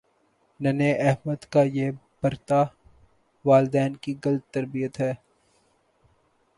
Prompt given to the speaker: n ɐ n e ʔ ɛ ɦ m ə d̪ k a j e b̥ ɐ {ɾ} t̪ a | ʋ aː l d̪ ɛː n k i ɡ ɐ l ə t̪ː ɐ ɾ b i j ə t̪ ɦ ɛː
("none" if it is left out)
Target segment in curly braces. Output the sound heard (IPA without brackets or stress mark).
ɾ